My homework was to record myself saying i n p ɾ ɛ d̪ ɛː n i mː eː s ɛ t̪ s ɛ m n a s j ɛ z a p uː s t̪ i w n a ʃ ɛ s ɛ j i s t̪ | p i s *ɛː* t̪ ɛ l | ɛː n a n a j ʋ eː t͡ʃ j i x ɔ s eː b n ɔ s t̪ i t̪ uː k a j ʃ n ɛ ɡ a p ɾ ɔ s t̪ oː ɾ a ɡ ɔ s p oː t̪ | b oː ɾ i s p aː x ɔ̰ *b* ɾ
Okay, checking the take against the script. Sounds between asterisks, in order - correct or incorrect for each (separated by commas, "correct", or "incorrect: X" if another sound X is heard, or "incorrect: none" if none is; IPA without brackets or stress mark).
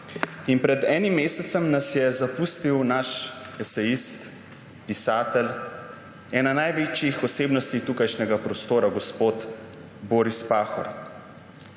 incorrect: aː, incorrect: none